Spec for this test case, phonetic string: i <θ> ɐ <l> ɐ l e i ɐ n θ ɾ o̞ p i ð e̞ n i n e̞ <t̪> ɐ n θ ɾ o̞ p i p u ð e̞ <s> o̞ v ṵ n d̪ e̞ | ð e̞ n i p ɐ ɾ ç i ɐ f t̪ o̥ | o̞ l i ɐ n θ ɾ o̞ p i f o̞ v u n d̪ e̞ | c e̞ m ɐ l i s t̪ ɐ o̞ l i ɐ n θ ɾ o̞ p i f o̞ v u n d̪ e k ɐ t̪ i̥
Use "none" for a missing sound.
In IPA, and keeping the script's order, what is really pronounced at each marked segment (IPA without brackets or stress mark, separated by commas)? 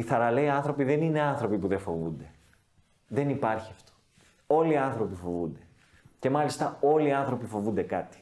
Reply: θ, ɾ, none, f